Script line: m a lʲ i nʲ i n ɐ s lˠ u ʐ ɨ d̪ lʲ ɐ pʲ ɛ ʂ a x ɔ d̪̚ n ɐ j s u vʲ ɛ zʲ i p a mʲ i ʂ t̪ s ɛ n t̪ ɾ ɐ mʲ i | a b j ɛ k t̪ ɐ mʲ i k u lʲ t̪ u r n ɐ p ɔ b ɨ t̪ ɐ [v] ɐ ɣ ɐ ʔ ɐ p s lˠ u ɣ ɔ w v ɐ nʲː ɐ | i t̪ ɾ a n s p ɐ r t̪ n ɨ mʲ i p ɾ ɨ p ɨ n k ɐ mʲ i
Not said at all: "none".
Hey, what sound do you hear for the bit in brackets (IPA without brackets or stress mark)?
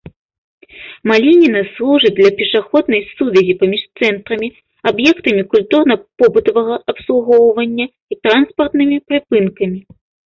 v